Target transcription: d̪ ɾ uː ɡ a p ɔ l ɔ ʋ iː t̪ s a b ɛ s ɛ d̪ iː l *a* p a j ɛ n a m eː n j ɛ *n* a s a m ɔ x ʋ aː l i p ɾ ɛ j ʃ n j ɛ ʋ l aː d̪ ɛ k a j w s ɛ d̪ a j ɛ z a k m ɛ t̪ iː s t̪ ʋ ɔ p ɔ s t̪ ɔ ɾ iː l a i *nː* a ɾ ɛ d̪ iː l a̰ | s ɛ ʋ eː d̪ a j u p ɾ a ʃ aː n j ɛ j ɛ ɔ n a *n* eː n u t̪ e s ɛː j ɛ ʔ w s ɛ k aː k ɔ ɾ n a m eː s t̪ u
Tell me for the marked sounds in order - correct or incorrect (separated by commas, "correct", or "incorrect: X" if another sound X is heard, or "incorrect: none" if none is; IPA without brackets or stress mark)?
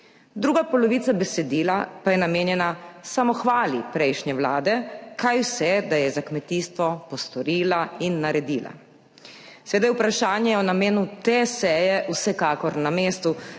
correct, correct, correct, incorrect: m